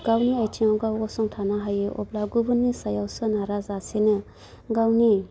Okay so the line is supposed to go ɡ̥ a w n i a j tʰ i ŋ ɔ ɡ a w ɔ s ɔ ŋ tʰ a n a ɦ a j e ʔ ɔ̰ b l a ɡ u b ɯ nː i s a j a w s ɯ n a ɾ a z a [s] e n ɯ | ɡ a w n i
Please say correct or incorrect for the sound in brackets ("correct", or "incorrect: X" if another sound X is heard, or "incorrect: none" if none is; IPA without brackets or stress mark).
correct